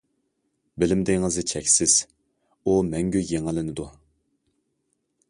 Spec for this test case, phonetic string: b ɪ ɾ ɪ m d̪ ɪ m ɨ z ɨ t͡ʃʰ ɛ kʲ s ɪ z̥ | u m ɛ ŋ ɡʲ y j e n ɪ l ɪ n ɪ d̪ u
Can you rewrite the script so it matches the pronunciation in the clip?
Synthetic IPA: b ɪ l ɪ m d̪ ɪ ŋ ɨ z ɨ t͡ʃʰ ɛ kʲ s ɪ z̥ | u m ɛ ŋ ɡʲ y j e ŋ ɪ l ɪ n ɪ d̪ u